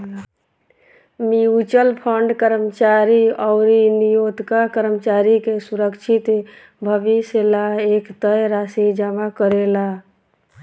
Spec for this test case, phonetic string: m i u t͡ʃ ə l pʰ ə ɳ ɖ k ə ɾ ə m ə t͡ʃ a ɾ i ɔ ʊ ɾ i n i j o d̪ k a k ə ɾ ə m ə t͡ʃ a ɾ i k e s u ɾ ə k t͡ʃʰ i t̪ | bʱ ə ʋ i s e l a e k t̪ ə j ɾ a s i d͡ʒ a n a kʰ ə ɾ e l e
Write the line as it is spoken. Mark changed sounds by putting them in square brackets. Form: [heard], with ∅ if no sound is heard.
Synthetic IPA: m i u t͡ʃ ə l pʰ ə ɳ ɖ k ə ɾ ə m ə t͡ʃ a ɾ i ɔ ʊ ɾ i n i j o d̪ k a k ə ɾ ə m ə t͡ʃ a ɾ i k e s u ɾ ə k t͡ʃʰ i t̪ | bʱ ə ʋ i s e l a e k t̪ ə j ɾ a s i d͡ʒ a [m] a [k] ə ɾ e l [a]